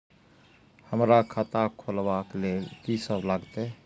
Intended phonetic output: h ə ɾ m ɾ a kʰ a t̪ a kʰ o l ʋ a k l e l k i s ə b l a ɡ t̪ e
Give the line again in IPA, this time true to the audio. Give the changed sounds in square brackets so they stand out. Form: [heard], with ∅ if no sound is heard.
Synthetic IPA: h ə [∅] m ɾ a kʰ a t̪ a kʰ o l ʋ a k l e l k i s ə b l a ɡ t̪ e